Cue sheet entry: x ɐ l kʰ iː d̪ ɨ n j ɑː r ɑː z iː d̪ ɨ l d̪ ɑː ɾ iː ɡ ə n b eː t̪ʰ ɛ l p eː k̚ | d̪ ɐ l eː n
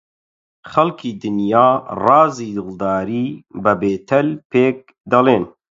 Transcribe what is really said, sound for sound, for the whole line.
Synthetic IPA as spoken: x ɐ l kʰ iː d̪ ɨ n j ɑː r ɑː z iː d̪ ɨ l d̪ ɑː ɾ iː b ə b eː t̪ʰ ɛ l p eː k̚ | d̪ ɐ l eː n